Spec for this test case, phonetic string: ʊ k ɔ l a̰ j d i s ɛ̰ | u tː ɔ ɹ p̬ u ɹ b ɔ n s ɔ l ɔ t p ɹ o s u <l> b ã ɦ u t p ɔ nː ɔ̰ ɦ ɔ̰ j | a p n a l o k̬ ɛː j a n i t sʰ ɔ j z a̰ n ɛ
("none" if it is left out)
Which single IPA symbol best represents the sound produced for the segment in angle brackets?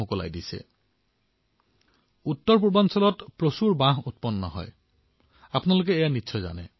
ɹ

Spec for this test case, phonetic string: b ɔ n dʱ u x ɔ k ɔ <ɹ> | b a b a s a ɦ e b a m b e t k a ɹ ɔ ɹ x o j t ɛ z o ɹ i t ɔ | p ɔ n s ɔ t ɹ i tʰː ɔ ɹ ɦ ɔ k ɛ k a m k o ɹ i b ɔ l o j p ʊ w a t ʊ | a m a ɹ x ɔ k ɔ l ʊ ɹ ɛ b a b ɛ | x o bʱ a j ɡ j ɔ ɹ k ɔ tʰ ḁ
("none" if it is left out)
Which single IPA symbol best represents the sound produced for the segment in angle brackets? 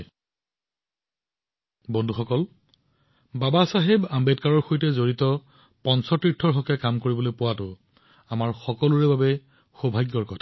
l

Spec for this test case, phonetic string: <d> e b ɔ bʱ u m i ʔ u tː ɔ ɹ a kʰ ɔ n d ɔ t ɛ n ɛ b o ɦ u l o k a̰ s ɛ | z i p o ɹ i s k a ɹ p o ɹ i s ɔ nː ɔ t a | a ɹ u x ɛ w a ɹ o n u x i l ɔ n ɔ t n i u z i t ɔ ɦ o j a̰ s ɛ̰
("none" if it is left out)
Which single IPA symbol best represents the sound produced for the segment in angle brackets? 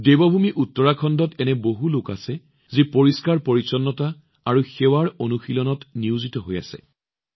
d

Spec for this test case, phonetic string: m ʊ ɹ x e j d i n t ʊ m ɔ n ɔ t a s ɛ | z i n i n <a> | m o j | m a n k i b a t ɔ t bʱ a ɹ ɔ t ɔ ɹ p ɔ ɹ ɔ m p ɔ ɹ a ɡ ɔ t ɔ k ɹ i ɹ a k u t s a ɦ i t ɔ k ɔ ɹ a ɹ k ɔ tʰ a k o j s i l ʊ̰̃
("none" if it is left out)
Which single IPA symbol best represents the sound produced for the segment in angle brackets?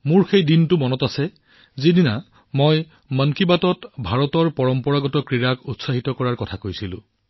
a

